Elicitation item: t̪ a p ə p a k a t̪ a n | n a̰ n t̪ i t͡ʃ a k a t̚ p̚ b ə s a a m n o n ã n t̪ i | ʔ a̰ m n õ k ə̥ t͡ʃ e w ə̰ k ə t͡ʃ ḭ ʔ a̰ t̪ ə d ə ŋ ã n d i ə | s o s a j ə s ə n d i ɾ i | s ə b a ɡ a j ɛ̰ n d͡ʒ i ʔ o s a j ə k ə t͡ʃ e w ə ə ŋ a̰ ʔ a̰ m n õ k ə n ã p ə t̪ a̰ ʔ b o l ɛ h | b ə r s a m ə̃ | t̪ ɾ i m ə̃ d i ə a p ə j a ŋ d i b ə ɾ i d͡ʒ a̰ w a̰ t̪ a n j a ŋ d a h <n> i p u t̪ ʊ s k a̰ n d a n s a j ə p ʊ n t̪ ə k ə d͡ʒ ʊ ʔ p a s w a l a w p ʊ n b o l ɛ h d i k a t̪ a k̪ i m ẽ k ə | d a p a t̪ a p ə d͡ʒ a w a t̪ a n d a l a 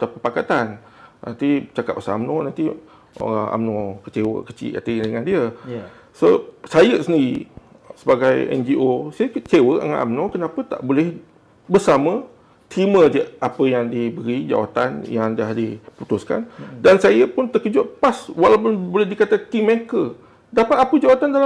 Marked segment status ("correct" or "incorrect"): incorrect